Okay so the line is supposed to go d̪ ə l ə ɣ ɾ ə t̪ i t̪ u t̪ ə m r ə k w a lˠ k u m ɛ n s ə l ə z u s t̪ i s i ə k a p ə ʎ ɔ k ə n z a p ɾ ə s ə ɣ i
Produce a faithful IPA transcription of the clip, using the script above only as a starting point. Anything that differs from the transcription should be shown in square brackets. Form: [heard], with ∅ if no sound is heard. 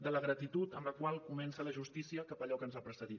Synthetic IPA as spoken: d̪ ə l ə ɣ ɾ ə t̪ i t̪ u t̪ ə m [l] ə k w a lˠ k u m ɛ n s ə l ə [ʒ] u s t̪ i s i ə k a p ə ʎ ɔ k ə n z a p ɾ ə s ə [ð] i